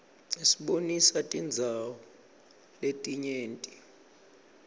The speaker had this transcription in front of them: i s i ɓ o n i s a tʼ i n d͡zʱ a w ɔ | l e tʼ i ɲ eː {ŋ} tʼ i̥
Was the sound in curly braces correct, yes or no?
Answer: no